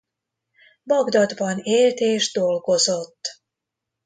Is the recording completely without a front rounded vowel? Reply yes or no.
yes